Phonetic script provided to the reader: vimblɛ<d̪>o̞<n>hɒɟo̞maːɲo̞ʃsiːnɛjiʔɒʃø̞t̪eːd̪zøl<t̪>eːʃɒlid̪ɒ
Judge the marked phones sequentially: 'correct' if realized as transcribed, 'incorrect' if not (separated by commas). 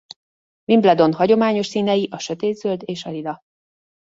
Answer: correct, correct, incorrect